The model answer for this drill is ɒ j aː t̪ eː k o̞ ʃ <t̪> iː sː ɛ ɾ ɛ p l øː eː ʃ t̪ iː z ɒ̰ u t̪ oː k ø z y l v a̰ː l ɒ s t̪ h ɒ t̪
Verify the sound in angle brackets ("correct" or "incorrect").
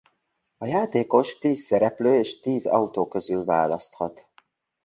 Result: correct